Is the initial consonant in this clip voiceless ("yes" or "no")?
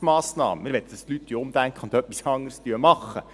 no